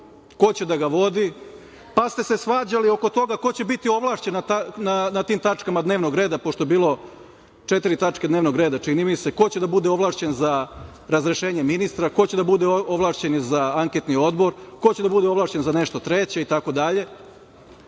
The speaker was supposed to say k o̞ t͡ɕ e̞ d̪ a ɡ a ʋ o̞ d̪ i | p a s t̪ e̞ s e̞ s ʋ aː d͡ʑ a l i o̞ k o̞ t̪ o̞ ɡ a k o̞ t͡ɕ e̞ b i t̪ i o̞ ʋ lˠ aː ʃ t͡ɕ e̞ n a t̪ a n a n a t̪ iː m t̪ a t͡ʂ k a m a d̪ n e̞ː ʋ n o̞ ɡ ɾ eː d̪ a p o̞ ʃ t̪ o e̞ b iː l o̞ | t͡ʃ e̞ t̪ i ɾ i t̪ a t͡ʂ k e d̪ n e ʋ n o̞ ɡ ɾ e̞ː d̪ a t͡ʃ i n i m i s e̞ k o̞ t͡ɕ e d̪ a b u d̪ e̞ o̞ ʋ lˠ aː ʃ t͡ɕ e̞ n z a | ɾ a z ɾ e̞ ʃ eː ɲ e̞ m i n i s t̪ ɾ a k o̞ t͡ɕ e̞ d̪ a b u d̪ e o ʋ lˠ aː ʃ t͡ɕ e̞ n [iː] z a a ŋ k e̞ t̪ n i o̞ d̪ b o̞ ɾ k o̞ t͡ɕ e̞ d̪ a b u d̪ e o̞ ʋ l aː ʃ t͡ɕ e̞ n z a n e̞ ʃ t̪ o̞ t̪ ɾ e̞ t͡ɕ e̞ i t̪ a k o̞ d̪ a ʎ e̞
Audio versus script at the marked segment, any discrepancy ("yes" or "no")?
yes